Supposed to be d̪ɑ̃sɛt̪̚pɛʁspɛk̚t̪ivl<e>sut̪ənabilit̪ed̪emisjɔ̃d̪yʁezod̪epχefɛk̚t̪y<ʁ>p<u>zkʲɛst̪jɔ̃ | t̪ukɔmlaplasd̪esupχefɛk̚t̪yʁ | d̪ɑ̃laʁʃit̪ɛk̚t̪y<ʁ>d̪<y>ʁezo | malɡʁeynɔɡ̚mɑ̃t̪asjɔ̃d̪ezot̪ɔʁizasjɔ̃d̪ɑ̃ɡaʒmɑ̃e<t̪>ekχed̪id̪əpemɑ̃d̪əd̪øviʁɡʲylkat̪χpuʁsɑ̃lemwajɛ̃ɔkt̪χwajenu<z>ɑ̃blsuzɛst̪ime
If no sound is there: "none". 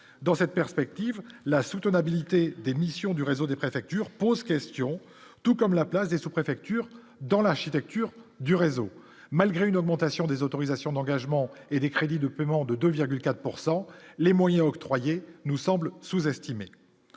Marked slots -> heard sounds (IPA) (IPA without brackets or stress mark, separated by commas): a, ʁ, o, ʁ, y, d̪, s